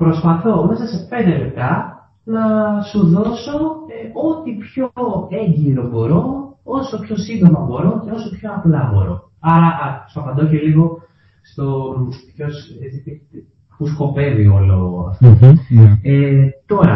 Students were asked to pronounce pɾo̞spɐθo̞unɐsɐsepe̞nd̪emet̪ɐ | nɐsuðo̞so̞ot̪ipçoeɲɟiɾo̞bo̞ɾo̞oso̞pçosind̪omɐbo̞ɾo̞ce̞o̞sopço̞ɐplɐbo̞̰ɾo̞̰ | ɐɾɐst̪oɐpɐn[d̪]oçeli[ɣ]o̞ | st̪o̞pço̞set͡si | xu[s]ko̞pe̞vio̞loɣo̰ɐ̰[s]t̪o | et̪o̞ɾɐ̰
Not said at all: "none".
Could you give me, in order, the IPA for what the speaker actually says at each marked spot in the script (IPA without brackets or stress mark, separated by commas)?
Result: d̪, ɣ, s, f